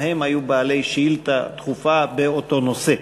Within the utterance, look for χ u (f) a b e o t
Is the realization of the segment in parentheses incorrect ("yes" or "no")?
no